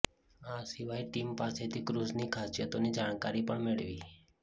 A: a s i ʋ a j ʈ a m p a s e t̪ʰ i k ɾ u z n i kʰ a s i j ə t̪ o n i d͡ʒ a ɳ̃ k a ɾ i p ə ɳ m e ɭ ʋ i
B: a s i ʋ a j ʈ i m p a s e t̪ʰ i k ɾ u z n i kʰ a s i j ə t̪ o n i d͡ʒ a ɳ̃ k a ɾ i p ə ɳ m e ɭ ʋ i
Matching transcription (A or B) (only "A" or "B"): B